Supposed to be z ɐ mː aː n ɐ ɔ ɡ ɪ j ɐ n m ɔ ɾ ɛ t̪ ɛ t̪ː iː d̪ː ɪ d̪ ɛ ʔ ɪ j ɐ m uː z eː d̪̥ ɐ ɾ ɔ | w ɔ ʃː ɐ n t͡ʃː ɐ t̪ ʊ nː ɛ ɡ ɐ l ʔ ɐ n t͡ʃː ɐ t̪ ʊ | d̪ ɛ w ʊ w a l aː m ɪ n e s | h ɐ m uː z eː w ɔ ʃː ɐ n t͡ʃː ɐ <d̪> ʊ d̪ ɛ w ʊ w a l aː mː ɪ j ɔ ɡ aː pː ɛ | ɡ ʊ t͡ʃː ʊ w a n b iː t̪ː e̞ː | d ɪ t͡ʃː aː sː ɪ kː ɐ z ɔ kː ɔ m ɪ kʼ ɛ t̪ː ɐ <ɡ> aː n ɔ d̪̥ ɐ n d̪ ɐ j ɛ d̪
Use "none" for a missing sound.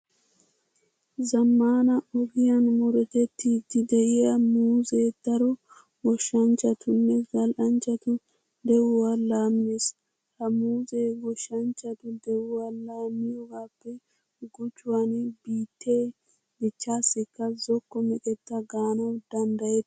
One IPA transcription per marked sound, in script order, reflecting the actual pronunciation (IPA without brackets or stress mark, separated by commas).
t̪, ɡ